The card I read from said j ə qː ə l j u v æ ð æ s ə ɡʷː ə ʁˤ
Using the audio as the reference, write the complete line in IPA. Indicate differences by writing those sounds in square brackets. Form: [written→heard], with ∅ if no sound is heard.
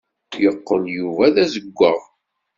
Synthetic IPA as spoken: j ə qː ə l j u v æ ð æ [s→z] ə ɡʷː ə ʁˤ